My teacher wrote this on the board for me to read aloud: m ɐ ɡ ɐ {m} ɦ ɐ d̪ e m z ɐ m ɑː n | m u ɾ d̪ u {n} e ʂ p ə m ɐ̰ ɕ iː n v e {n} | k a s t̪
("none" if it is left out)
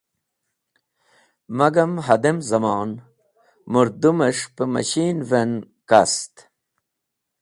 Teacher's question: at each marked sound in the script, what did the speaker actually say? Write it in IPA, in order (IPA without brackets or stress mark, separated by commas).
m, m, n